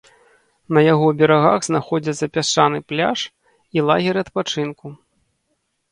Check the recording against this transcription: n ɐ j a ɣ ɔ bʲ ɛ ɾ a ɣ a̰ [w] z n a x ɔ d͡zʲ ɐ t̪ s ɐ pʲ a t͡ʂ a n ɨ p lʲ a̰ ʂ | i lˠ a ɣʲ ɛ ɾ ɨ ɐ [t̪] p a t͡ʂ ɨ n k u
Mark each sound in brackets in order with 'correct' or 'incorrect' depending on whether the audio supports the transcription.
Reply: incorrect, correct

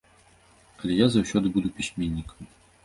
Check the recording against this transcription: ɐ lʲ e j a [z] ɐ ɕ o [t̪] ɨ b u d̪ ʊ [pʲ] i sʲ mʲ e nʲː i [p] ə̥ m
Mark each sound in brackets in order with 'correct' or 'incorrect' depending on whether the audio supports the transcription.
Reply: correct, incorrect, correct, incorrect

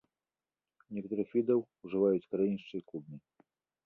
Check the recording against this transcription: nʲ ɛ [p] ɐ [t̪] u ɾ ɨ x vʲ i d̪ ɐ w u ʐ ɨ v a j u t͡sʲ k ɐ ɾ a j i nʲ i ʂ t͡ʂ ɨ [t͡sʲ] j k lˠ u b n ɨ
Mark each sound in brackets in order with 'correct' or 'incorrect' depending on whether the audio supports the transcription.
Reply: incorrect, correct, incorrect

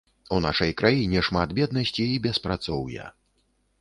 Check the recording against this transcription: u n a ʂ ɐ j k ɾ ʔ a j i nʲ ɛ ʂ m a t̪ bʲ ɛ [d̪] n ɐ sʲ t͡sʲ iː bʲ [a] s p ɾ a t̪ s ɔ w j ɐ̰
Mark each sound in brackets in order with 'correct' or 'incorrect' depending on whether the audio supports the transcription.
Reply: correct, incorrect

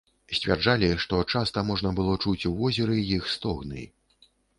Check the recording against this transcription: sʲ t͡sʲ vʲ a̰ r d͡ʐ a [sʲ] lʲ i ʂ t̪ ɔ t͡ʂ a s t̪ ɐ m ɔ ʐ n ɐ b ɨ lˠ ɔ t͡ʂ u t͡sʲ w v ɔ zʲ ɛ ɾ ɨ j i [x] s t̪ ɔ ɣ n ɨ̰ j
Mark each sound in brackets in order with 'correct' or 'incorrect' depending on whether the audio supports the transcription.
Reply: incorrect, correct

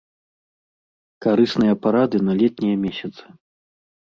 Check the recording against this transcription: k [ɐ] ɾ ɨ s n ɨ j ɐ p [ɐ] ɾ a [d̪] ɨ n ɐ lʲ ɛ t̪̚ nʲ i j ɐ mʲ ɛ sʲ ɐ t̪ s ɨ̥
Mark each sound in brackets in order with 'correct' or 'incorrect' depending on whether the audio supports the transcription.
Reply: incorrect, incorrect, correct

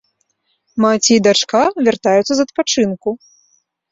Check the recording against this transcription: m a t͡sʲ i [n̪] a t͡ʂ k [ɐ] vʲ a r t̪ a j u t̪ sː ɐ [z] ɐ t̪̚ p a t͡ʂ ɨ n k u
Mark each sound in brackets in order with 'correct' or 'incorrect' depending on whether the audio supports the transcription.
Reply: incorrect, incorrect, correct

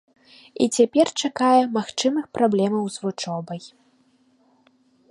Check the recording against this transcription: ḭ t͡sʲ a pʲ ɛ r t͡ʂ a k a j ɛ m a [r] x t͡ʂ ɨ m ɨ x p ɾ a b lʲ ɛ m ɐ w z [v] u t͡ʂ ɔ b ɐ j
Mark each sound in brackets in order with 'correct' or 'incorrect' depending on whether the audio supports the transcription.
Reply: incorrect, correct

